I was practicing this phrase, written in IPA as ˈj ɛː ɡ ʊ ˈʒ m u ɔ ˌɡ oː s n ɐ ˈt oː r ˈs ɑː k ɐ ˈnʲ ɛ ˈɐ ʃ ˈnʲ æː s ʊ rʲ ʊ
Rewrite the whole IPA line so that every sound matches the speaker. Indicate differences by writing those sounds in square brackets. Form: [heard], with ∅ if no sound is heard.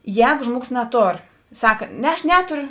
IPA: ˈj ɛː ɡ ʊ ˈʒ m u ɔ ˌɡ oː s n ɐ ˈt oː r ˈs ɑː k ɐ ˈnʲ ɛ ˈɐ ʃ ˈnʲ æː [t] ʊ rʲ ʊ